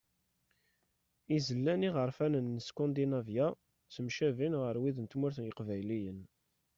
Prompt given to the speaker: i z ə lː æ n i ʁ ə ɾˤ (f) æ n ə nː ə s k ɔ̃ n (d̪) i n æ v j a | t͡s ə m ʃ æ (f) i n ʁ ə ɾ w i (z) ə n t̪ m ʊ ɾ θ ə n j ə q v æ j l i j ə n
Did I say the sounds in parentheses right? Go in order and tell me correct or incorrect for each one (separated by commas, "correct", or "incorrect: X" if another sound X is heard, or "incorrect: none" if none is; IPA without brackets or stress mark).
correct, correct, incorrect: v, incorrect: ð